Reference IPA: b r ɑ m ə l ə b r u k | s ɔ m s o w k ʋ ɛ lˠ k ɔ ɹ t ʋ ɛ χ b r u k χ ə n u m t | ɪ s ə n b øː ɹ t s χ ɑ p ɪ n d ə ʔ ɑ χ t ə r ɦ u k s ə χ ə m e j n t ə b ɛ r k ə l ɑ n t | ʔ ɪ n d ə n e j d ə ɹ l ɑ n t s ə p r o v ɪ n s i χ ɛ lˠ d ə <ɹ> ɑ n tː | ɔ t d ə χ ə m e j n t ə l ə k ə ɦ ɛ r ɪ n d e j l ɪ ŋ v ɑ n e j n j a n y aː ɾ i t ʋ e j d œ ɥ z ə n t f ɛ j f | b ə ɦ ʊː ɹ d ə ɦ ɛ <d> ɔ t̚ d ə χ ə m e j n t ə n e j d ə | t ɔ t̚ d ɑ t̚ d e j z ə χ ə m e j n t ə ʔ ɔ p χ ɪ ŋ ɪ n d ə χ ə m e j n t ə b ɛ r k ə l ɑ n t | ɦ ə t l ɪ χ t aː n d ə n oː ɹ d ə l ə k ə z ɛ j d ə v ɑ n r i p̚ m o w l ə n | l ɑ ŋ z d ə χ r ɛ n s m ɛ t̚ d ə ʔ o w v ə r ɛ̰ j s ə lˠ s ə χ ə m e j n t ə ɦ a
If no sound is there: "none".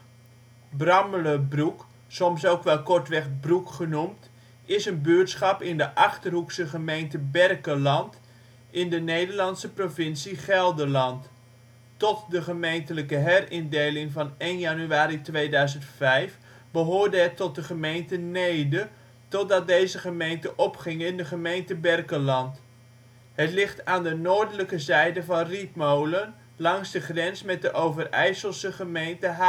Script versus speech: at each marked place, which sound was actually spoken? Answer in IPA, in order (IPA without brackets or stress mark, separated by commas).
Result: l, t